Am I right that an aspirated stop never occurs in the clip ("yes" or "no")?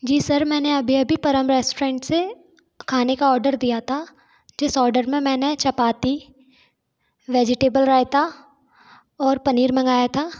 no